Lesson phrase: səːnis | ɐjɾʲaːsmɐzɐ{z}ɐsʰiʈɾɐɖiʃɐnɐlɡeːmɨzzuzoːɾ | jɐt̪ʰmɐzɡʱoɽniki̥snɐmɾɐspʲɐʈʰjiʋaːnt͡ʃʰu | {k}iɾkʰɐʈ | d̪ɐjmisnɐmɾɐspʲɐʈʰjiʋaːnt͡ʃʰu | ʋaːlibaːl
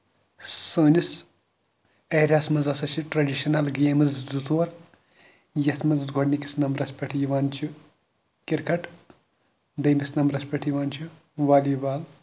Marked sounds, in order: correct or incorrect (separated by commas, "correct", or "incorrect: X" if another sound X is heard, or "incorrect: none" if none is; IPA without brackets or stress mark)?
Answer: incorrect: s, correct